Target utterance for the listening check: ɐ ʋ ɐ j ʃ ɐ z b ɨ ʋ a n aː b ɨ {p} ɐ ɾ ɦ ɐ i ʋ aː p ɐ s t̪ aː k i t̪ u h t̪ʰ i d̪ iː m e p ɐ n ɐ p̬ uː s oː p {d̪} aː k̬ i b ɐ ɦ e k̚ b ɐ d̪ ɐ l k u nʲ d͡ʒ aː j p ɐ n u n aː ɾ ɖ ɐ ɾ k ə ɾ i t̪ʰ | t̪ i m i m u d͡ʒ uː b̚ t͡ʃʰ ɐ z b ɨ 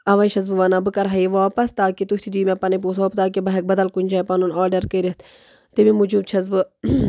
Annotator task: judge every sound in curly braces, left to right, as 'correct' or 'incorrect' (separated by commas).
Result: incorrect, incorrect